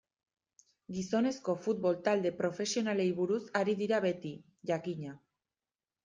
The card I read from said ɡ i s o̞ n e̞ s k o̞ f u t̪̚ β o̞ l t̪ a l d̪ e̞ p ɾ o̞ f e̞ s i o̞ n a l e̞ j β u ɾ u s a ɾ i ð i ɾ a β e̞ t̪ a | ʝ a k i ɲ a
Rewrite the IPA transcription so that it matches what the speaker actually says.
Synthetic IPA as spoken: ɡ i s o̞ n e̞ s k o̞ f u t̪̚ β o̞ l t̪ a l d̪ e̞ p ɾ o̞ f e̞ s i o̞ n a l e̞ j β u ɾ u s a ɾ i ð i ɾ a β e̞ t̪ i | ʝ a k i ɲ a